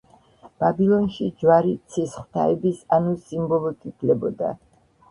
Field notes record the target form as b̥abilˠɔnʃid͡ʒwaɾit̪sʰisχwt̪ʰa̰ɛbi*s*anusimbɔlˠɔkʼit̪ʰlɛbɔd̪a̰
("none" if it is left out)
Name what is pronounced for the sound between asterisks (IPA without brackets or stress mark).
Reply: s